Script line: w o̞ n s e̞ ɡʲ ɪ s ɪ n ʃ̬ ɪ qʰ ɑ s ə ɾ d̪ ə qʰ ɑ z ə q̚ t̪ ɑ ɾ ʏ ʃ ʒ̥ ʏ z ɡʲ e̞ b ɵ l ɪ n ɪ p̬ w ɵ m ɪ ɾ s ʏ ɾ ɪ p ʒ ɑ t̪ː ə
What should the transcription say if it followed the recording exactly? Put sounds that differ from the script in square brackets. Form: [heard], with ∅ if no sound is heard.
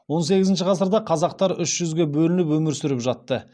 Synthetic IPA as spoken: w o̞ n s e̞ ɡʲ ɪ [z] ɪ n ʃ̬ ɪ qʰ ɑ s ə ɾ d̪ [ɑ] qʰ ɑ z [ɑ] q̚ t̪ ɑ ɾ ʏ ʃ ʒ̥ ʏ z ɡʲ e̞ b ɵ l ɪ n ɪ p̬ w ɵ m ɪ ɾ s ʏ ɾ ɪ p ʒ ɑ t̪ː ə